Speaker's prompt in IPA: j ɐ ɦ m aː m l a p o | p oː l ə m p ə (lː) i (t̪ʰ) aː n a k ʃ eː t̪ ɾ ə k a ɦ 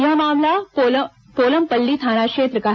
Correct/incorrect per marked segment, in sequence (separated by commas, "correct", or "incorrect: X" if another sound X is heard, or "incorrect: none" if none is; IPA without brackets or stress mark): correct, correct